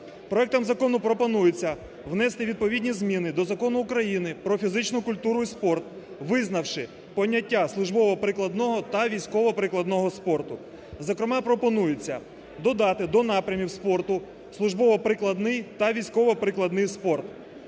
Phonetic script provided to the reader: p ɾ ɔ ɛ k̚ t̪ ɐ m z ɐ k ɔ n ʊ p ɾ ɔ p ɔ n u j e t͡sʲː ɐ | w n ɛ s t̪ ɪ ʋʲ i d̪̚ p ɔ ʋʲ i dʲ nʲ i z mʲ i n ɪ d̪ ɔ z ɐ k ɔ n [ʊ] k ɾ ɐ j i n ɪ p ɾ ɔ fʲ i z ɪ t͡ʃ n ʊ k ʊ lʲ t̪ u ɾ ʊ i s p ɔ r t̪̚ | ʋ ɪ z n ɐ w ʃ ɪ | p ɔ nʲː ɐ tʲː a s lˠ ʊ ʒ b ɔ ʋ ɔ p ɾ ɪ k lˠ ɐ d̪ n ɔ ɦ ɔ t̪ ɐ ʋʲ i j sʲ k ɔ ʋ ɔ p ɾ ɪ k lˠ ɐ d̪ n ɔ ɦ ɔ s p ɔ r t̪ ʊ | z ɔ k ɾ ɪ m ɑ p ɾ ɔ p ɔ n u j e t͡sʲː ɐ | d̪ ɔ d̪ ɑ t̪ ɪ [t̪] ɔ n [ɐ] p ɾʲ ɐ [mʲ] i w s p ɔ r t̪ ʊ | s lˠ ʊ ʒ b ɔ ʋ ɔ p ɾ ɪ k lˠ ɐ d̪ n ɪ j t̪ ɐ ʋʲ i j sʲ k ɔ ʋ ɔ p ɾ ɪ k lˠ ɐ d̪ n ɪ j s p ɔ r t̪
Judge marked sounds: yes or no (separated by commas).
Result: no, no, no, yes